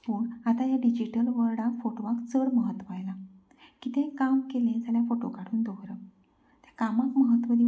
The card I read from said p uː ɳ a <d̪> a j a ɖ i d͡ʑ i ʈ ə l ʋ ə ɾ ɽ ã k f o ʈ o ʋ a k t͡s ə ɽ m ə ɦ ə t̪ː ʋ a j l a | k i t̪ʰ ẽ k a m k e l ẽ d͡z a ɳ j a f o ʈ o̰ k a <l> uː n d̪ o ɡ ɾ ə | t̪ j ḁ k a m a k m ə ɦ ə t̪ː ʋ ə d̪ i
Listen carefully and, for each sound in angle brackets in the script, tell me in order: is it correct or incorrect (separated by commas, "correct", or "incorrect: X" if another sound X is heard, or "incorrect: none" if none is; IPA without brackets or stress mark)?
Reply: incorrect: t̪, incorrect: ɽ